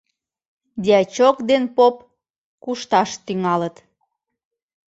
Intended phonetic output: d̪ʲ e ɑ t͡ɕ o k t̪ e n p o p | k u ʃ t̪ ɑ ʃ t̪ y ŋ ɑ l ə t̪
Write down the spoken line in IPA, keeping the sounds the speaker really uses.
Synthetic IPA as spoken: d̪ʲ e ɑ t͡ɕ o k d̪ e n p o p | k u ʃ t̪ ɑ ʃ t̪ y ŋ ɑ l ə t̪